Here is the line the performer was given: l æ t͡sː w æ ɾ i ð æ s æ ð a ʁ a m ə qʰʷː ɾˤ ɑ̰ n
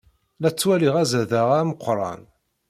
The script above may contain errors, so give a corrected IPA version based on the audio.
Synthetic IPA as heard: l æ t͡sː w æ l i ʁ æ z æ ð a ʁ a m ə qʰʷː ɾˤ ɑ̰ n

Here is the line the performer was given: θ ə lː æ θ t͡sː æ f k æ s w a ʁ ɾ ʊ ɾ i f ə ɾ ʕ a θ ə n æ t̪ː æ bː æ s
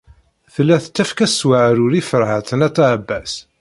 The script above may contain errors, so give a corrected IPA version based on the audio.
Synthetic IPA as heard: θ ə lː æ θ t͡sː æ f k æ s w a ʕ ɾ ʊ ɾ i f ə ɾ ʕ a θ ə n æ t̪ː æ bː æ s

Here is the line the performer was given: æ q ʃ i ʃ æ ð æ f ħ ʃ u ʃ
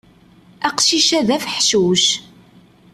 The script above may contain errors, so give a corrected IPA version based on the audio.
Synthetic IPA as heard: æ q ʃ i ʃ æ ð æ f ħ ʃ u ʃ

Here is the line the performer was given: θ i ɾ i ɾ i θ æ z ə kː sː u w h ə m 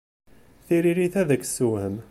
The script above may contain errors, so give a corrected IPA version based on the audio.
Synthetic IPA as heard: θ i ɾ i ɾ i θ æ ð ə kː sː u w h ə m

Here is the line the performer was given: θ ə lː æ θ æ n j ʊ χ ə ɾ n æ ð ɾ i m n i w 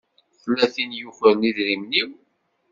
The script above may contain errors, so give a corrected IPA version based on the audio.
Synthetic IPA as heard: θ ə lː æ θ i n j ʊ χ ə ɾ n i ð ɾ i m n i w

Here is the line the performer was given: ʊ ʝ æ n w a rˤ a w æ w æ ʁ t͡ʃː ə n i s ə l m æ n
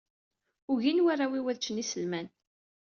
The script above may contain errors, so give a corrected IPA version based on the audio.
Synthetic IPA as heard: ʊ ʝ i n w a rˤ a w i w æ ð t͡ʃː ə n i s ə l m æ n

